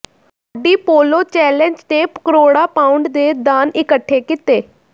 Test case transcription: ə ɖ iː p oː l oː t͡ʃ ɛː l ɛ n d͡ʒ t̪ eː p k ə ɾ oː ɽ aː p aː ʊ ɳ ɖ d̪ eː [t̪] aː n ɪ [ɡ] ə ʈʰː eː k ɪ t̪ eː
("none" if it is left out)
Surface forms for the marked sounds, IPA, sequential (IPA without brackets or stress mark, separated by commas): d̪, k